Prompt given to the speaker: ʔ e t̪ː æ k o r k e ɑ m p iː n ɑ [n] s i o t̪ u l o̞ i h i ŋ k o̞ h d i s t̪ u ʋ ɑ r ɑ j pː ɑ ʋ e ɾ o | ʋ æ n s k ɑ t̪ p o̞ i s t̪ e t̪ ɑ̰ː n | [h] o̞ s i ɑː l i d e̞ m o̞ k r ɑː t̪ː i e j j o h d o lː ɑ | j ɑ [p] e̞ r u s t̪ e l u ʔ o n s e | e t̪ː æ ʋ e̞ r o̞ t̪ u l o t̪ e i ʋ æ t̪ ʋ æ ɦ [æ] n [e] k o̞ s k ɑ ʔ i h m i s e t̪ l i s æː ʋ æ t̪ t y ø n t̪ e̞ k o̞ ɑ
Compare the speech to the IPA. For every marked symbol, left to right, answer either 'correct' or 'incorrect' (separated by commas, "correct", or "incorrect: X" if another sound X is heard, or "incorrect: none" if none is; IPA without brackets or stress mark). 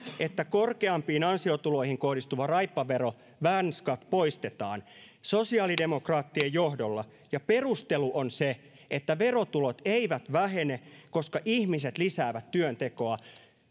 correct, incorrect: s, correct, incorrect: e, correct